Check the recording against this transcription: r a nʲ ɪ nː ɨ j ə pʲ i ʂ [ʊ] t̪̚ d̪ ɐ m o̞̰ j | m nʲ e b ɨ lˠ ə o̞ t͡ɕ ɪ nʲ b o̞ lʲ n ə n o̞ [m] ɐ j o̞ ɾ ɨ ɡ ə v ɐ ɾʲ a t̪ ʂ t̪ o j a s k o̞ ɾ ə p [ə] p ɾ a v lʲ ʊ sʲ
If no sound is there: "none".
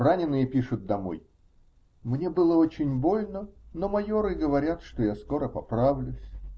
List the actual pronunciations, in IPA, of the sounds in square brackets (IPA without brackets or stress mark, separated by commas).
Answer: ʊ, m, ɐ